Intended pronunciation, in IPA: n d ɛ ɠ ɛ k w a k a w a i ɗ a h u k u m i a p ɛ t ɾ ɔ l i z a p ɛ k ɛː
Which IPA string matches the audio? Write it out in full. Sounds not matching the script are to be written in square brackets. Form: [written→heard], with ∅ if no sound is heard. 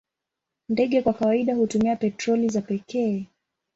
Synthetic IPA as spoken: n d ɛ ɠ ɛ k w a k a w a i ɗ a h u [k→t] u m i a p ɛ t ɾ ɔ l i z a p ɛ k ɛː